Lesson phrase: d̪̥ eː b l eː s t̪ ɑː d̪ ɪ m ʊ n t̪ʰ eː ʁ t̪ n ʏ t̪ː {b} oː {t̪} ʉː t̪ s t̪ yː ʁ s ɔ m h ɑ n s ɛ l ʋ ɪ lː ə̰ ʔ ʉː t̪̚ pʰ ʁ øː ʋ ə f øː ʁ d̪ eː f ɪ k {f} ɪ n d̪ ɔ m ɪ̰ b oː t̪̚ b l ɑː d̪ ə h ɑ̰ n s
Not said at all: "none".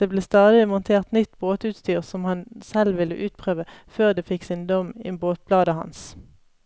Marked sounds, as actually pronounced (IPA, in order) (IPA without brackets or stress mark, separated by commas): b, t̪, s